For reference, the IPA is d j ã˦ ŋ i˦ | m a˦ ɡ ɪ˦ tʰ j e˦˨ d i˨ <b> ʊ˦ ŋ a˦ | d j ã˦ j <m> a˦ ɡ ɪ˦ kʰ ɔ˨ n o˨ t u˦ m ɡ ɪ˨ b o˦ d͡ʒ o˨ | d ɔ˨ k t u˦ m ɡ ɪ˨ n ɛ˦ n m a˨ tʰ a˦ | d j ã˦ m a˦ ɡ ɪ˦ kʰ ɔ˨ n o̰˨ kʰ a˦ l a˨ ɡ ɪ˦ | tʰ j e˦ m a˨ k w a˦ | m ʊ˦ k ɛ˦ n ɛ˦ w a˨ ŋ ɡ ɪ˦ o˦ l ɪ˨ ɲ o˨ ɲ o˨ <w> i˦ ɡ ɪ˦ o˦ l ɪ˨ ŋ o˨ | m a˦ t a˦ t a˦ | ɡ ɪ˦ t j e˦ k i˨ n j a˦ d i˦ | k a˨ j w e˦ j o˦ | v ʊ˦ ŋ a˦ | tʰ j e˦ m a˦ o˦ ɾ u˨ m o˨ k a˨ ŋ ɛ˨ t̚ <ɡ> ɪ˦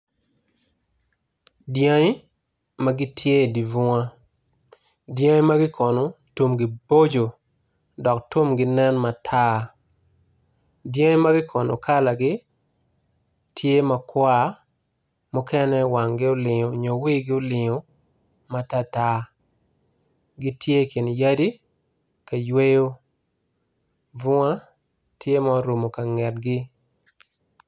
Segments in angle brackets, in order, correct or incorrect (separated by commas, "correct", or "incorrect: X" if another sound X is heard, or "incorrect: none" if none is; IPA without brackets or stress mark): incorrect: v, correct, correct, correct